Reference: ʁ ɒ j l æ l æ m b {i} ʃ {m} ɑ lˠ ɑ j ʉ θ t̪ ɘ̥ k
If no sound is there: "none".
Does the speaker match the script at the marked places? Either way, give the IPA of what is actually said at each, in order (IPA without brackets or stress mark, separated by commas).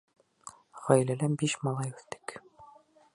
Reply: i, m